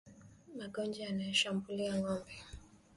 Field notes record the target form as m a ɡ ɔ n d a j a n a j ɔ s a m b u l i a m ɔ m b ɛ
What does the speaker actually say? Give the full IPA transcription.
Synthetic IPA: m a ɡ ɔ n d͡ʒ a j a n a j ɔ ʃ a m b u l i a ŋ ɔ m b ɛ

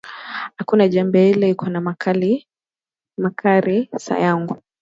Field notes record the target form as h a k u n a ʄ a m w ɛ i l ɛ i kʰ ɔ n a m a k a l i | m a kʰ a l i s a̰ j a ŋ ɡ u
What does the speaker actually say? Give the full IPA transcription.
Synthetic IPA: h a k u n a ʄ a m b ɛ i l ɛ i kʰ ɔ n a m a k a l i | m a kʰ a ɾ i s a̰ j a ŋ ɡ u

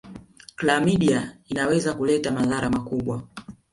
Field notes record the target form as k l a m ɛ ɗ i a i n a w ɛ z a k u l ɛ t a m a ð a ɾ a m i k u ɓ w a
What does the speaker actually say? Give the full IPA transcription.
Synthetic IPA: k l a m i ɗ i a i n a w ɛ z a k u l ɛ t a m a ð a ɾ a m a k u ɓ w a

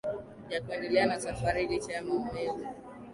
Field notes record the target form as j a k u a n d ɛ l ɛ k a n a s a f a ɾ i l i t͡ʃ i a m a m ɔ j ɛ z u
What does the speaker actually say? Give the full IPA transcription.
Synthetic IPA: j a k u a n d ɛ l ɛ a n a s a f a ɾ i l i t͡ʃ a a m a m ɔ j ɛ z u

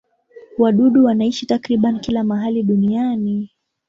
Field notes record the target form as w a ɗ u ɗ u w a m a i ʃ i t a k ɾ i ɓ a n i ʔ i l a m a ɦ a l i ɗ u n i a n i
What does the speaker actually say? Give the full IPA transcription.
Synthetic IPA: w a ɗ u ɗ u w a n a i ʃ i t a k ɾ i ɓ a n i k i l a m a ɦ a l i ɗ u n i a n i

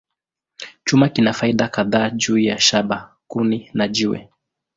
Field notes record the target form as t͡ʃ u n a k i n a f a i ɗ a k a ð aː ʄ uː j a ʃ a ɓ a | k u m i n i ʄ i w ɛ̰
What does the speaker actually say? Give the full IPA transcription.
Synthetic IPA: t͡ʃ u m a k i n a f a i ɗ a k a ð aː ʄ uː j a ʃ a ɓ a | k u n i n a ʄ i w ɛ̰

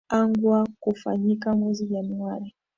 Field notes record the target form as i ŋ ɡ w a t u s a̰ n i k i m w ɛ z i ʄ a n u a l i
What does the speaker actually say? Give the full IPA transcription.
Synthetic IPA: a ŋ ɡ w a k u f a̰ ɲ i k a m w ɛ z i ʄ a n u a ɾ i

